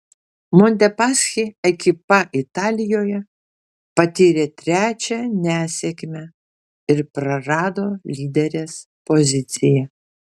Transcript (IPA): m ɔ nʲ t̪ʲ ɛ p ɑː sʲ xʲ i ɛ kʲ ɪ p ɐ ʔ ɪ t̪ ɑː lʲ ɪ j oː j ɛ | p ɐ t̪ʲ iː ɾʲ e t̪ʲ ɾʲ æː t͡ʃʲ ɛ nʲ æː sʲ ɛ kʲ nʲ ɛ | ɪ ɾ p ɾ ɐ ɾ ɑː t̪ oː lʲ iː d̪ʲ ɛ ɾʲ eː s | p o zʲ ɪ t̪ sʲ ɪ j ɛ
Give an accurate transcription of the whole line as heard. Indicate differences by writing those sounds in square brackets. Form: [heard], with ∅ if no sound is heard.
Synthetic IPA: m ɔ nʲ t̪ʲ ɛ p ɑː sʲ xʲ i ɛ kʲ ɪ p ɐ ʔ ɪ t̪ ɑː lʲ ɪ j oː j ɛ | p ɐ t̪ʲ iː ɾʲ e t̪ʲ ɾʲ æː t͡ʃʲ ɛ nʲ æː sʲ ɛ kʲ [mʲ] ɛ | ɪ ɾ p ɾ ɐ ɾ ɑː [d̪] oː lʲ iː d̪ʲ ɛ ɾʲ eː s | p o zʲ ɪ t̪ sʲ ɪ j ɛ